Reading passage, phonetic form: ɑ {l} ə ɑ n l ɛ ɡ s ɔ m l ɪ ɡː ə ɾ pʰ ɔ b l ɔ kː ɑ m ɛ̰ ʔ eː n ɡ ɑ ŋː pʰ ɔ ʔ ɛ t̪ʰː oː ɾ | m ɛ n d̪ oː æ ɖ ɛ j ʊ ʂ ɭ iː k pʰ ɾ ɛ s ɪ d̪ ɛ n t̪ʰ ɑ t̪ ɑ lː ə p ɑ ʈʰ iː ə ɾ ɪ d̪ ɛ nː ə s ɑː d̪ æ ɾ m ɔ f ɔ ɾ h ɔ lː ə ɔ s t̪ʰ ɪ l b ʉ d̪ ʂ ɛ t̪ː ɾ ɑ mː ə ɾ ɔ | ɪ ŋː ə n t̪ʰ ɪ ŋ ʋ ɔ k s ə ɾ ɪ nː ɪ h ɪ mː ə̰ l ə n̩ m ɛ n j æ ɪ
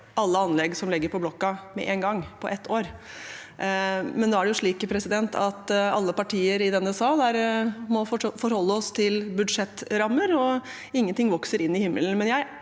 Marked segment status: incorrect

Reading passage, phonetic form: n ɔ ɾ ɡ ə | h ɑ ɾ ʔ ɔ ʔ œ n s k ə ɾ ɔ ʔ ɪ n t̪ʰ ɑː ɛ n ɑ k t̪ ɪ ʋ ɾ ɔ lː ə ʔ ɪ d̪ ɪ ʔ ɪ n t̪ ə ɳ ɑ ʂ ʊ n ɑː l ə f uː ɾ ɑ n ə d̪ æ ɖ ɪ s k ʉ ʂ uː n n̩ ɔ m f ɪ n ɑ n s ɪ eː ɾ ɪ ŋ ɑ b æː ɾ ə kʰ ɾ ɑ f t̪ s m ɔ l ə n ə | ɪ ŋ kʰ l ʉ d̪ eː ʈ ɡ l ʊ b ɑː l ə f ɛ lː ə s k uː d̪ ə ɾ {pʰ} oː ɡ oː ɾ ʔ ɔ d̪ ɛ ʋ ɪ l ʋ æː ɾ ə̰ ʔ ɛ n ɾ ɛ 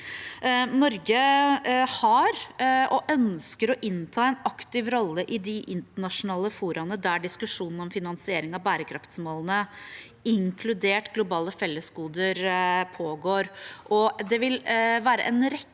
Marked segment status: correct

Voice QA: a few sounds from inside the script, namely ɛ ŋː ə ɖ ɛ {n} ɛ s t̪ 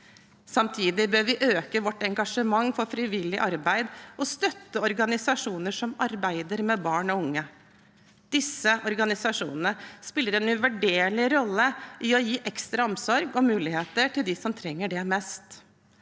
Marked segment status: incorrect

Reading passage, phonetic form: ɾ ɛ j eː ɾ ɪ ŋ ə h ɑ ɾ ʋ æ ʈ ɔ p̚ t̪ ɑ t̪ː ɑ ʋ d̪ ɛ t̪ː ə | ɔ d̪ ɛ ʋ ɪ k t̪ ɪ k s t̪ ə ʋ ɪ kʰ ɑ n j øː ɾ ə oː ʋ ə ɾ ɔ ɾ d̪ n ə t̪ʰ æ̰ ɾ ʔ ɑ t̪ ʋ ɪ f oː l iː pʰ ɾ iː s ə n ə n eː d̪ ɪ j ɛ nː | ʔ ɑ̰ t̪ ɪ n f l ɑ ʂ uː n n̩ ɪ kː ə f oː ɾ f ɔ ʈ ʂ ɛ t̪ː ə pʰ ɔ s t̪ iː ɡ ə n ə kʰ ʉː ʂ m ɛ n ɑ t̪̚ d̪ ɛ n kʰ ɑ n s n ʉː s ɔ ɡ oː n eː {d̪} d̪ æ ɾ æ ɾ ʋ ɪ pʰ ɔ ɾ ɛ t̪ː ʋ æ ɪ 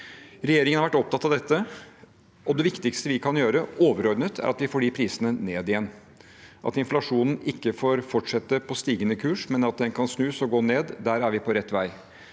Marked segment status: correct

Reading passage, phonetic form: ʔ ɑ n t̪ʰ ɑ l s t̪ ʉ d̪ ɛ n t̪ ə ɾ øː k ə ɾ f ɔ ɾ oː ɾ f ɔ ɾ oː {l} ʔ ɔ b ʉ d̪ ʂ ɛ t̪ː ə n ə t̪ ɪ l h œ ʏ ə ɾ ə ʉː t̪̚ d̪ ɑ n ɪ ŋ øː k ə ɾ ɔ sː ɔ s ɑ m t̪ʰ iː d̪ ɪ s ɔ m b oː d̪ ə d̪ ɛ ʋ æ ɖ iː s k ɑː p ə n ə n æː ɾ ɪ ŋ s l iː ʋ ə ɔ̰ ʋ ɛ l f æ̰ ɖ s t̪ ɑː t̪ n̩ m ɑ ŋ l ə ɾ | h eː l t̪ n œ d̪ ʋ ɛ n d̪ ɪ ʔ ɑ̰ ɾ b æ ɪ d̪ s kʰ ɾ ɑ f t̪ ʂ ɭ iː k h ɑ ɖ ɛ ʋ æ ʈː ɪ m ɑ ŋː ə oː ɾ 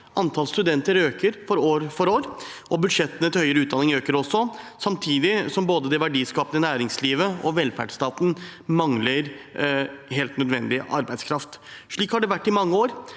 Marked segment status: incorrect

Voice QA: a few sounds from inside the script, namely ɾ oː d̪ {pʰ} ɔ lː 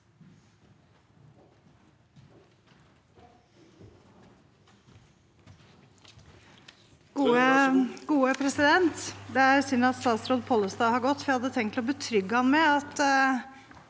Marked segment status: correct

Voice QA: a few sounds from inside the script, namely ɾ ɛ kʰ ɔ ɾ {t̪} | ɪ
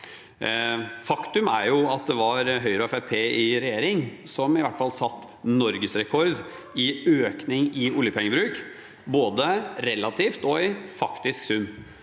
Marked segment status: incorrect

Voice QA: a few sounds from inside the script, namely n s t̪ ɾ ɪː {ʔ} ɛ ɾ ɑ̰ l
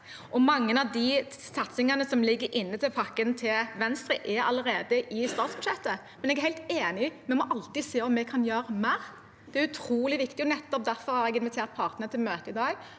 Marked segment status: correct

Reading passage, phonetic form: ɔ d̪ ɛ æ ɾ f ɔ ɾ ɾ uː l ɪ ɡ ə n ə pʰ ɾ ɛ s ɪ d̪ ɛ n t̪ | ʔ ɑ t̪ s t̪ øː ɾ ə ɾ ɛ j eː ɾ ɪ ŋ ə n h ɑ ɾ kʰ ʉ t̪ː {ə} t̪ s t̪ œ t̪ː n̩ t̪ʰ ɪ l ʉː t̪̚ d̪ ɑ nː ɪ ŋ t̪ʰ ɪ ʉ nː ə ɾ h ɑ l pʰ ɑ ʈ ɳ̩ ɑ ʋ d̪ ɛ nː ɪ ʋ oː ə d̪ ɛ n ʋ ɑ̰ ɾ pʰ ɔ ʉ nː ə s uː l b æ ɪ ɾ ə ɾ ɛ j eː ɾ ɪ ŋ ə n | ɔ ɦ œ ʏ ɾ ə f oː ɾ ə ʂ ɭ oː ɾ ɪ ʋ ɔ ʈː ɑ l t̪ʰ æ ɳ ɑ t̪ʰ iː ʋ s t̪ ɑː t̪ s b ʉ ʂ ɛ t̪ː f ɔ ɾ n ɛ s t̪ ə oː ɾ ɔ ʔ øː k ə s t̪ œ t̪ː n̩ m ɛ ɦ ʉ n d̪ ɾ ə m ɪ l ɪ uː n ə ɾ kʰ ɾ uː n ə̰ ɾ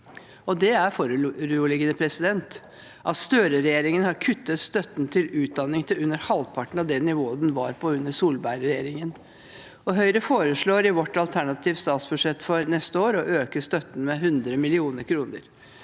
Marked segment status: correct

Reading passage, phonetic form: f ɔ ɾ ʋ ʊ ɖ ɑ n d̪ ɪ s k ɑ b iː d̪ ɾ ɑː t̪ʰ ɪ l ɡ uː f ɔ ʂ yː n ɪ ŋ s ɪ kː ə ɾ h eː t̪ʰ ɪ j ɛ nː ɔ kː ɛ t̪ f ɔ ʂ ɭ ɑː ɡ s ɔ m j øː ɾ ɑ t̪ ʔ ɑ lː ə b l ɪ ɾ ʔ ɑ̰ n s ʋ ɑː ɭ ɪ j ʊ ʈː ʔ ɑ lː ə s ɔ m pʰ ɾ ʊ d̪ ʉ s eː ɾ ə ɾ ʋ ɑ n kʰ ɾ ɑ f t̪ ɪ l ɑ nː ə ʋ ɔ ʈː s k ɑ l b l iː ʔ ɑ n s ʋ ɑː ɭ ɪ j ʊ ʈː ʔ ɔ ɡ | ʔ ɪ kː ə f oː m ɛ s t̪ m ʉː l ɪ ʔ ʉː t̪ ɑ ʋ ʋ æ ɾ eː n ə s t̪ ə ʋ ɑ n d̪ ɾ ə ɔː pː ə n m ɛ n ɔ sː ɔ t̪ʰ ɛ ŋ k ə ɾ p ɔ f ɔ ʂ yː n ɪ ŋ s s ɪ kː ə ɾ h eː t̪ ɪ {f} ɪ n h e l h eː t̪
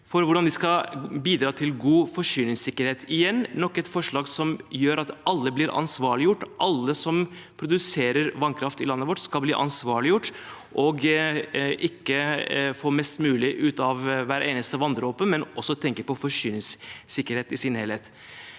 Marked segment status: incorrect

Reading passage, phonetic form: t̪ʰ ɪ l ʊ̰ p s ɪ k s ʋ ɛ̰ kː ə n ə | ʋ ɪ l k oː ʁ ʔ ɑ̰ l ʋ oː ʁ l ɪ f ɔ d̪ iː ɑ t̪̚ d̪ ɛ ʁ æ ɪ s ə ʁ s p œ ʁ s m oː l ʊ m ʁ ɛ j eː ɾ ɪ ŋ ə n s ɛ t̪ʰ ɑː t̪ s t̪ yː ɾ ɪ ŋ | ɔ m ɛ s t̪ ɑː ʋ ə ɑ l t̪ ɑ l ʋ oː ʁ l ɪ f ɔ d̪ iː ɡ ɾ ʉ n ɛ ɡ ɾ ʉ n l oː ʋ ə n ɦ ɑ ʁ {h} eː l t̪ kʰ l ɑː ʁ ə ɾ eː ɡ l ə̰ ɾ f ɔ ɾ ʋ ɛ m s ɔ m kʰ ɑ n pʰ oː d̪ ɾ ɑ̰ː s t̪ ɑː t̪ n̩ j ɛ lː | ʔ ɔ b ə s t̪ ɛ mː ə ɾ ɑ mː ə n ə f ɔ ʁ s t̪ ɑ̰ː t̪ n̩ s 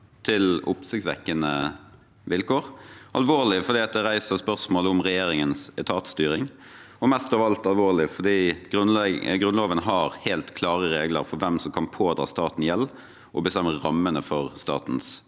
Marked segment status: correct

